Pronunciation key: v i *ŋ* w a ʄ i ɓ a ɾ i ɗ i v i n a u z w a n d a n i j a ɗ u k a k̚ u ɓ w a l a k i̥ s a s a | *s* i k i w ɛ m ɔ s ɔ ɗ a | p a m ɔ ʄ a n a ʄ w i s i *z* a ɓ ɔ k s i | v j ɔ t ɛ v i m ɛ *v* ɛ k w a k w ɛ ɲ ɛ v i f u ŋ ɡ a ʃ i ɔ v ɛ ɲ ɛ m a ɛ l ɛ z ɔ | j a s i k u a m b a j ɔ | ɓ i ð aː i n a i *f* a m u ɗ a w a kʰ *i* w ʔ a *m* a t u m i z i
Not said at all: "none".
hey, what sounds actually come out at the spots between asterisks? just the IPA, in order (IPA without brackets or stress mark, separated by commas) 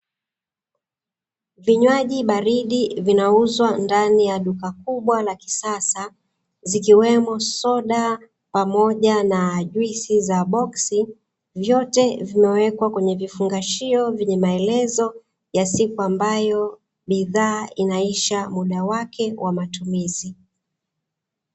ɲ, z, z, w, ʃ, ɛ, m